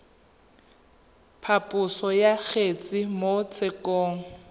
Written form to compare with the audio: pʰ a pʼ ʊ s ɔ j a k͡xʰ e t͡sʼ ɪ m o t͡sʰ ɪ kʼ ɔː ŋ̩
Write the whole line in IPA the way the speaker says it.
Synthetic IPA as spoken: pʰ a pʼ ʊ s ɔ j a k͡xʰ e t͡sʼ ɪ m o t͡sʰ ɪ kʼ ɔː ŋ̩